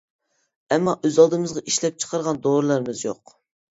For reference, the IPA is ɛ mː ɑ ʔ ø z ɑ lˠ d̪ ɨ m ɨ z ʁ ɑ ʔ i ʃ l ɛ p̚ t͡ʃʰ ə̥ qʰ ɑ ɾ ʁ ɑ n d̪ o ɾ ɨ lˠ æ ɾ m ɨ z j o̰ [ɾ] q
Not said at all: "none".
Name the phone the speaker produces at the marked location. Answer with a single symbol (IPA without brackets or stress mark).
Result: none